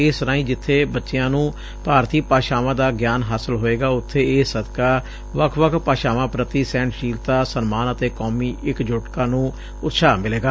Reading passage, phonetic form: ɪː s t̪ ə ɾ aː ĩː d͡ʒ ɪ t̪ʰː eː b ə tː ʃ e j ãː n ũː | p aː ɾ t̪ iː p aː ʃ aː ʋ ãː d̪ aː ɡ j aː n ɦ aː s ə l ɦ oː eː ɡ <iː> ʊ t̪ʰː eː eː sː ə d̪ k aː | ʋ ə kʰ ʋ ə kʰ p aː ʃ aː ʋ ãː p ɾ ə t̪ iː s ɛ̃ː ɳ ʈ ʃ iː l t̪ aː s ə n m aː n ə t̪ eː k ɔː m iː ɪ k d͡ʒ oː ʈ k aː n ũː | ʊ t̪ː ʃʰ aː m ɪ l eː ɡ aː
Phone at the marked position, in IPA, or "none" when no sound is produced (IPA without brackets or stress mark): aː